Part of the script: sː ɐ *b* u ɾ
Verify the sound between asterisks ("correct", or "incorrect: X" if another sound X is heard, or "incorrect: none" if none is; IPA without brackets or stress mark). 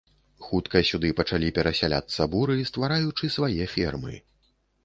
correct